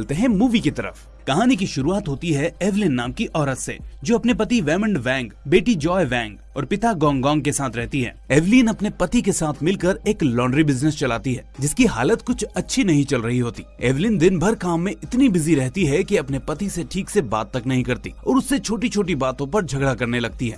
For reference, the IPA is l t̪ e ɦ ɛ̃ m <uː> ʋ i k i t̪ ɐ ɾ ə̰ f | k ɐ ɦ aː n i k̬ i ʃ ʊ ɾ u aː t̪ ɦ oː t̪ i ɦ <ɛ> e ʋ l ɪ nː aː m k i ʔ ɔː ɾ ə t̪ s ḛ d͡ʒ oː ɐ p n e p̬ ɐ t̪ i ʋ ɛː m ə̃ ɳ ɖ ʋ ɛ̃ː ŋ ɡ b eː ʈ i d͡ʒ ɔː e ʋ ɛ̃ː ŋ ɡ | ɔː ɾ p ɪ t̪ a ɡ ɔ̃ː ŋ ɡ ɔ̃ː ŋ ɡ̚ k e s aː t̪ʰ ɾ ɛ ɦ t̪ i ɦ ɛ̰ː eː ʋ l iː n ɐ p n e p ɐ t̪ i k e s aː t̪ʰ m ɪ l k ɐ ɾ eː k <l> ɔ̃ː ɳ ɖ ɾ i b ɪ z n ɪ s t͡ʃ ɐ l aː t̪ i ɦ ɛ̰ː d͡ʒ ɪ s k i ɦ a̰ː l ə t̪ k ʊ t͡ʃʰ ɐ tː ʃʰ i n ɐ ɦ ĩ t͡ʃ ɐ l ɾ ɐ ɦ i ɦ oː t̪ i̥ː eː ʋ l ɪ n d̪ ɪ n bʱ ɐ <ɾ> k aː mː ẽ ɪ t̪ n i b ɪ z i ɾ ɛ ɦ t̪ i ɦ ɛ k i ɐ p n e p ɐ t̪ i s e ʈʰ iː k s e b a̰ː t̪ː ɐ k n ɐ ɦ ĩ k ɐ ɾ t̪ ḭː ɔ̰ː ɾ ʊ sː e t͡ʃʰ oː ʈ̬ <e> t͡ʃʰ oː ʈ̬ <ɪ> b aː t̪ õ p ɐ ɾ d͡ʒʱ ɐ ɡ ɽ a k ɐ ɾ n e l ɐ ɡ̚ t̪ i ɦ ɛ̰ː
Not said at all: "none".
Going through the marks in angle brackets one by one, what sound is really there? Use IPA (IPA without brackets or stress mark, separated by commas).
uː, ɛ, l, ɾ, i, i